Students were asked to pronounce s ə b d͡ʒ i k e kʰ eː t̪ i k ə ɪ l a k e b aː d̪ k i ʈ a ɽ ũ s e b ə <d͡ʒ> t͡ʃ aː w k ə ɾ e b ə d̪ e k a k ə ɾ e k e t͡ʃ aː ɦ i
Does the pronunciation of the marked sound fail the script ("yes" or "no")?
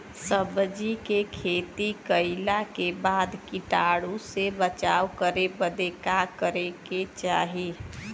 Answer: yes